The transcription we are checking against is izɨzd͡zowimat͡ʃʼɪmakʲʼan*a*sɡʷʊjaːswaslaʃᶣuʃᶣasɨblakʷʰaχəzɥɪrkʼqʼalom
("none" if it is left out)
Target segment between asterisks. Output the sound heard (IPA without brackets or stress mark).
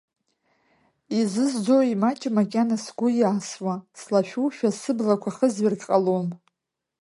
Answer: a